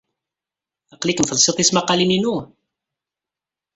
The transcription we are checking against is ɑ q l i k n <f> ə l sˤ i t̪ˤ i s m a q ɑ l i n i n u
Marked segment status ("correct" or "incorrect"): correct